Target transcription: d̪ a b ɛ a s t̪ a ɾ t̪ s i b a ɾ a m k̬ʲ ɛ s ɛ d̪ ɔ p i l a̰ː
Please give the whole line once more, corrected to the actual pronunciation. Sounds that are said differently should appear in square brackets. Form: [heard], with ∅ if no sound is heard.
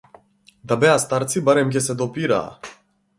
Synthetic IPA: d̪ a b ɛ a s t̪ a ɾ t̪ s i b a ɾ [ɛ] m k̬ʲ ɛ s ɛ d̪ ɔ p i [ɾ] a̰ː